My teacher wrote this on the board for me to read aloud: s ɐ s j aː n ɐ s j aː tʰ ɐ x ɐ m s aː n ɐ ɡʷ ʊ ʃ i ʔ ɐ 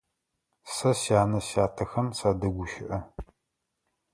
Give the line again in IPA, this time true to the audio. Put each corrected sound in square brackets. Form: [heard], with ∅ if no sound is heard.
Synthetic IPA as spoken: s ɐ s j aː n ɐ s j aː tʰ ɐ x ɐ m s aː [d] ɐ ɡʷ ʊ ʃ [ɪ] ʔ ɐ